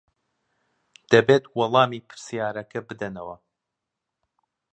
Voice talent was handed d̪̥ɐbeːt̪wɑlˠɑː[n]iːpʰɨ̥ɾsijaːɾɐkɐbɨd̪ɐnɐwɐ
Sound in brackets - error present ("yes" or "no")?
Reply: yes